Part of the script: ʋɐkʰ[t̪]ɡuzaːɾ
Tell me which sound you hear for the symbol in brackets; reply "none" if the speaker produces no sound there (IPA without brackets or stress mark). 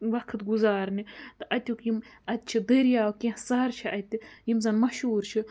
t̪